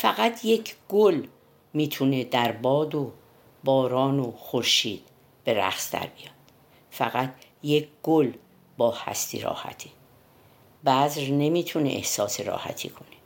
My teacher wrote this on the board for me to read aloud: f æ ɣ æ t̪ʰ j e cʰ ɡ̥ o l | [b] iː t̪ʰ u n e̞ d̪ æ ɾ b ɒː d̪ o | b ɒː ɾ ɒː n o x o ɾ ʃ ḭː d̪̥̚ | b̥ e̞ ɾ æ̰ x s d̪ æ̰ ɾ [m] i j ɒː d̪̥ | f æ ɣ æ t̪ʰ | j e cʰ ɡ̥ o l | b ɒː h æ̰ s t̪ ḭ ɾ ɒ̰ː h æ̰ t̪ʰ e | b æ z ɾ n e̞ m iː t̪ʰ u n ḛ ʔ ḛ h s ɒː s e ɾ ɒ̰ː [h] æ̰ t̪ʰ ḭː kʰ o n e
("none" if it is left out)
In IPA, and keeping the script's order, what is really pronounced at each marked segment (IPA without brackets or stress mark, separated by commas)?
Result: m, b, h